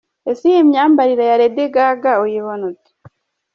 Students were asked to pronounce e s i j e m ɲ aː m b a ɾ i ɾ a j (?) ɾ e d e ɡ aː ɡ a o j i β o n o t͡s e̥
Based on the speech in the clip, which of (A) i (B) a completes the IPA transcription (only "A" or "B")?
B